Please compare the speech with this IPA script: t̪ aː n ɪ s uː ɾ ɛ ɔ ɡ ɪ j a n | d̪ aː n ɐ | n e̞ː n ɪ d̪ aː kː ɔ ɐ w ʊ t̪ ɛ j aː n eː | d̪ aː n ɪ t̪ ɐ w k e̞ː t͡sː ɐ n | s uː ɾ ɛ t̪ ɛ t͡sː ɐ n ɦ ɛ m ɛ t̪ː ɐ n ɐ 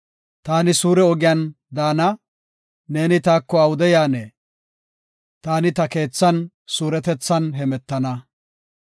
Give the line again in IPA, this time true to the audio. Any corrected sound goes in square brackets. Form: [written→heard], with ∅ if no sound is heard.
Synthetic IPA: t̪ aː n ɪ s uː ɾ ɛ ɔ ɡ ɪ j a n | d̪ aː n ɐ | n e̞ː n ɪ [d̪→t̪] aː kː ɔ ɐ w ʊ [t̪→d̪] ɛ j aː n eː | [d̪→t̪] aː n ɪ t̪ ɐ [w→∅] k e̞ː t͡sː ɐ n | s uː ɾ ɛ t̪ ɛ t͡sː ɐ n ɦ ɛ m ɛ t̪ː ɐ n ɐ

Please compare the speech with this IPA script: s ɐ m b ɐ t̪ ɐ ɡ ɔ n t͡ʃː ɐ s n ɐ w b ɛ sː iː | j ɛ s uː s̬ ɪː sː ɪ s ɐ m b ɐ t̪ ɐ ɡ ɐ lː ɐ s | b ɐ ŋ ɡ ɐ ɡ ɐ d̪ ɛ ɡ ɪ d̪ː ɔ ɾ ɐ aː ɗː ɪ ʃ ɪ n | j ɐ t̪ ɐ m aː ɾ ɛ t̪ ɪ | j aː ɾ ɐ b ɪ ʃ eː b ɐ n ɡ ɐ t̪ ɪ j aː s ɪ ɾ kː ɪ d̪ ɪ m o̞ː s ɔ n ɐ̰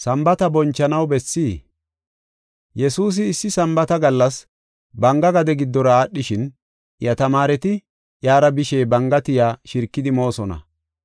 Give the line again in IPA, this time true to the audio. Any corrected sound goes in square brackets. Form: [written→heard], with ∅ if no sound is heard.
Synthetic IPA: s ɐ m b ɐ t̪ ɐ [ɡ→b] ɔ n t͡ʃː ɐ [s→∅] n ɐ w b ɛ sː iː | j ɛ s uː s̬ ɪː sː ɪ s ɐ m b ɐ t̪ ɐ ɡ ɐ lː ɐ s | b ɐ ŋ ɡ ɐ ɡ ɐ d̪ ɛ ɡ ɪ d̪ː ɔ ɾ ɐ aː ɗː ɪ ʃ ɪ n | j ɐ t̪ ɐ m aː ɾ ɛ t̪ ɪ | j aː ɾ ɐ b ɪ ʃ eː b ɐ [n→ŋ] ɡ ɐ t̪ ɪ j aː [s→ʃ] ɪ ɾ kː ɪ d̪ ɪ m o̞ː s ɔ n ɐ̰

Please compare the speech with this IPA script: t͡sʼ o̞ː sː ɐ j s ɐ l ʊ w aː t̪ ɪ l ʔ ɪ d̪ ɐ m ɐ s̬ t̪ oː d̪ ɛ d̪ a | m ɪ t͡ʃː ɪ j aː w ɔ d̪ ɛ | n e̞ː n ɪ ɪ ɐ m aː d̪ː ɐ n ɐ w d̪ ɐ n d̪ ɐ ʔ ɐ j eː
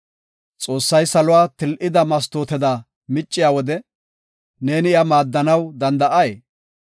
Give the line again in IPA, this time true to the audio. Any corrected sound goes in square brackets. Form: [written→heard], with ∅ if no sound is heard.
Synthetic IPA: t͡sʼ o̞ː sː ɐ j s ɐ l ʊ w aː t̪ ɪ l ʔ ɪ d̪ ɐ m ɐ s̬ t̪ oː [d̪→t̪] ɛ d̪ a | m ɪ [t͡ʃː→t͡ʃʼː] ɪ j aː w ɔ d̪ ɛ | n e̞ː n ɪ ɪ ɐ m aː d̪ː ɐ n ɐ w d̪ ɐ n d̪ ɐ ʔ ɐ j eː

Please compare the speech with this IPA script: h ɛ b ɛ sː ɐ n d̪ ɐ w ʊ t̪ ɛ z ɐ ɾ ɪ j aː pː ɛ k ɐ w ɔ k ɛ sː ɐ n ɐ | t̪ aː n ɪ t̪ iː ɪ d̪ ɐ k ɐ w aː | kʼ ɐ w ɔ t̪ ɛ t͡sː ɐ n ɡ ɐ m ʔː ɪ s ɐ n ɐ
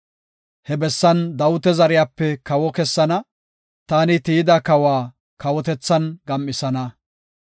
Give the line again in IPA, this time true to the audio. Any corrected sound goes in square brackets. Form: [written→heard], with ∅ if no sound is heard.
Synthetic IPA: h ɛ b ɛ sː ɐ n d̪ ɐ w ʊ t̪ ɛ z ɐ ɾ ɪ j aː pː ɛ k ɐ w ɔ k ɛ sː ɐ n ɐ | t̪ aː n ɪ t̪ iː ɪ d̪ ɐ k ɐ w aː | [kʼ→k] ɐ w ɔ t̪ ɛ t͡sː ɐ n ɡ ɐ m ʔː ɪ s ɐ n ɐ

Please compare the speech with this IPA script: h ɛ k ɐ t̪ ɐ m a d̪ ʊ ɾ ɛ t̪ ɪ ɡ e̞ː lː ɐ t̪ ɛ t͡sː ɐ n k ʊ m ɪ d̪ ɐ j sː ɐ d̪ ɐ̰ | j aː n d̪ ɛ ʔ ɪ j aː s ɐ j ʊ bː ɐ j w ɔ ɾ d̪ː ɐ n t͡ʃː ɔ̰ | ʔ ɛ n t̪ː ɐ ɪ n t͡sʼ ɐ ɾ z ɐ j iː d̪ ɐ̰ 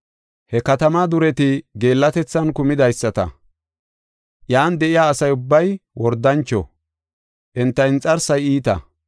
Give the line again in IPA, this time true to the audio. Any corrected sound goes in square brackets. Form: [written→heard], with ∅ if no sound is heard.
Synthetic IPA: h ɛ k ɐ t̪ ɐ m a d̪ ʊ ɾ ɛ t̪ ɪ ɡ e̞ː lː ɐ t̪ ɛ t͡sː ɐ n k ʊ m ɪ d̪ ɐ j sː ɐ [d̪→t̪] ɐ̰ | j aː n d̪ ɛ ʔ ɪ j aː s ɐ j ʊ bː ɐ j w ɔ ɾ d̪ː ɐ n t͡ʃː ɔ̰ | ʔ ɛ n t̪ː ɐ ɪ n t͡sʼ ɐ ɾ [z→s] ɐ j iː [d̪→t̪] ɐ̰

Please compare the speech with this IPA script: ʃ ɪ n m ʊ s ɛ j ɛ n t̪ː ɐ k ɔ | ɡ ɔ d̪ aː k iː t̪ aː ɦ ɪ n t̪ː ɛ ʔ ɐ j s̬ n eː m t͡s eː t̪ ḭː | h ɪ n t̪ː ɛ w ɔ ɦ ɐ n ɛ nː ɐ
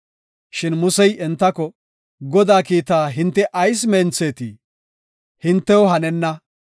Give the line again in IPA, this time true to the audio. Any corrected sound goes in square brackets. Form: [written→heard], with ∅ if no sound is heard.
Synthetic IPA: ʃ ɪ n m ʊ s ɛ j ɛ n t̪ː ɐ k ɔ | ɡ ɔ d̪ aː k iː t̪ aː ɦ ɪ n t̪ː ɛ ʔ ɐ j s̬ [n→m] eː [m→n] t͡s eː t̪ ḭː | h ɪ n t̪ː ɛ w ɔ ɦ ɐ n ɛ nː ɐ

